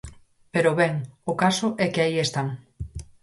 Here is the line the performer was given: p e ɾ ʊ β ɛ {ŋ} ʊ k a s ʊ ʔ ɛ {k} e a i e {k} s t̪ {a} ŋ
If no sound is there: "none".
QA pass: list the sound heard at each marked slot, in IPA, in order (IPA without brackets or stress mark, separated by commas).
ŋ, k, none, a